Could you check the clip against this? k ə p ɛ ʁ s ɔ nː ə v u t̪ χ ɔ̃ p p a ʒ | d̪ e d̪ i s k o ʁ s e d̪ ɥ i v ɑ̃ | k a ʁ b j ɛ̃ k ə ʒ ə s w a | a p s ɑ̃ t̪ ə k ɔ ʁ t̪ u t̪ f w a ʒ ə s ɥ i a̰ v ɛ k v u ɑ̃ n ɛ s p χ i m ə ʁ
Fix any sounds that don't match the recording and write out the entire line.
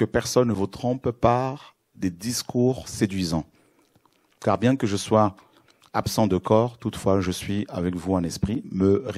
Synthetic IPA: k ə p ɛ ʁ s ɔ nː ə v u t̪ χ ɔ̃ p p a ʁ | d̪ e d̪ i s k u ʁ s e d̪ ɥ i z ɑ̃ | k a ʁ b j ɛ̃ k ə ʒ ə s w a | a p s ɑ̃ d̪ ə k ɔ ʁ t̪ u t̪ f w a ʒ ə s ɥ i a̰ v ɛ k v u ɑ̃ n ɛ s p χ i m ə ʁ